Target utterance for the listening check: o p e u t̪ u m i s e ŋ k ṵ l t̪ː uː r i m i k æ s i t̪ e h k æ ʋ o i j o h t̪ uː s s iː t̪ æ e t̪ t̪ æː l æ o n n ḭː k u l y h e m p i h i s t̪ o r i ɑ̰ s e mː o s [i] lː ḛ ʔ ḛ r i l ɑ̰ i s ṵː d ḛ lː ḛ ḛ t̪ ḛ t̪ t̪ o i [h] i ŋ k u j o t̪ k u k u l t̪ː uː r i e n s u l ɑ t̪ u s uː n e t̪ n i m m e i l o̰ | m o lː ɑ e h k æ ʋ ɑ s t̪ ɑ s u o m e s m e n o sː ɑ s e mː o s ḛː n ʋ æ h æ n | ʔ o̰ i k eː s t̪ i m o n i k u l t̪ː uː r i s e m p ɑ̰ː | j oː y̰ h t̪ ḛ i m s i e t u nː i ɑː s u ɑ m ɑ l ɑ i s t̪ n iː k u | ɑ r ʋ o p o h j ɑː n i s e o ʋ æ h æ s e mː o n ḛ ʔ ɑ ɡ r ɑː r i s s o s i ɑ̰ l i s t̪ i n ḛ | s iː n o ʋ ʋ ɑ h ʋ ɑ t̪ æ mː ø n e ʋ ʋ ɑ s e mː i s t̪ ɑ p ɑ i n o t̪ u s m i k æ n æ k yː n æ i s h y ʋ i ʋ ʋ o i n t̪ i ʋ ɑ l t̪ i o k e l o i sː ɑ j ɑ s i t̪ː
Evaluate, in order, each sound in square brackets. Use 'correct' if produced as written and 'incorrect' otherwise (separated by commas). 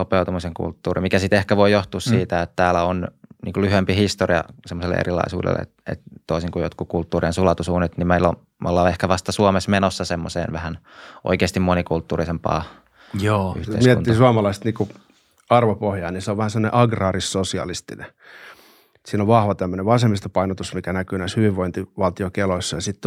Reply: incorrect, incorrect